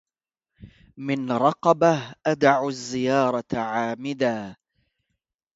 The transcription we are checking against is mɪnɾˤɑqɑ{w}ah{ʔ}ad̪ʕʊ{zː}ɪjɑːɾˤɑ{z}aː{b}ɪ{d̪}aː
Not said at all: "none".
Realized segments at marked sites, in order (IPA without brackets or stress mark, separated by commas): b, ʔ, zː, ʕ, m, d̪